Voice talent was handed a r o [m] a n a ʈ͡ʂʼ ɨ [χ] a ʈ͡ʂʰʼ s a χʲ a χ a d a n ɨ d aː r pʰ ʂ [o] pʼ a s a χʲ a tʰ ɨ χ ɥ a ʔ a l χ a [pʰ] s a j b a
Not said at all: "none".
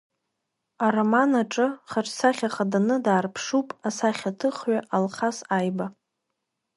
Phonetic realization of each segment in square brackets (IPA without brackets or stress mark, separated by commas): m, χ, u, none